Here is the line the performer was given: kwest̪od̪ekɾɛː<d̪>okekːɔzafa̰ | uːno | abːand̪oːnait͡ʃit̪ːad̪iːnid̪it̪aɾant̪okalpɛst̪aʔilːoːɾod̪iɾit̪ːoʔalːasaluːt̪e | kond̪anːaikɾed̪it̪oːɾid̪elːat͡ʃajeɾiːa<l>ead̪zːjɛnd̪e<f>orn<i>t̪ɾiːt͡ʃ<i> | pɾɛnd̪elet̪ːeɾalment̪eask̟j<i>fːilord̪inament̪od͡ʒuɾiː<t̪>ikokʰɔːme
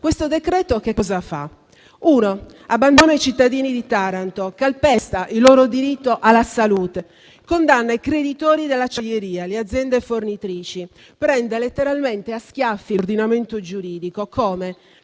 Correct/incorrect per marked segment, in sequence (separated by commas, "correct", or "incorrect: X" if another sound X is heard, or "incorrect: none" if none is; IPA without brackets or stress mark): incorrect: t̪, correct, correct, correct, correct, incorrect: a, incorrect: d̪